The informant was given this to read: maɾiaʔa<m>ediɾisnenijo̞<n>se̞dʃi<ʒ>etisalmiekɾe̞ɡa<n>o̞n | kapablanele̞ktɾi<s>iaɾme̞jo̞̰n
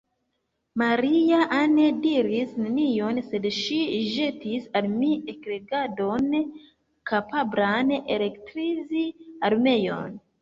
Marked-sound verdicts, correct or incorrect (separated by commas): incorrect, correct, correct, incorrect, incorrect